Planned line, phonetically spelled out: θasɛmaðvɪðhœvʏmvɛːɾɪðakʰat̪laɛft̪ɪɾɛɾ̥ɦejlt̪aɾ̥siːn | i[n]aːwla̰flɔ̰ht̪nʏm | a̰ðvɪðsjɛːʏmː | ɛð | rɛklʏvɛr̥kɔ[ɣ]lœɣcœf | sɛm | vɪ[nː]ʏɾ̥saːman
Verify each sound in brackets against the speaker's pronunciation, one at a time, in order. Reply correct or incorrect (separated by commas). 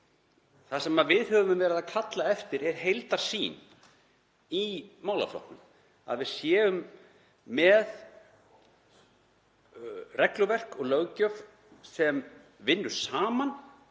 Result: incorrect, correct, correct